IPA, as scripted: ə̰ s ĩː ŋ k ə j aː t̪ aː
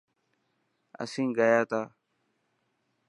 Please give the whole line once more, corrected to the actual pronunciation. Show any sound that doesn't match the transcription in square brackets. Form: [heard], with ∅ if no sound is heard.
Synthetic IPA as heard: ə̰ s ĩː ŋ [ɡ] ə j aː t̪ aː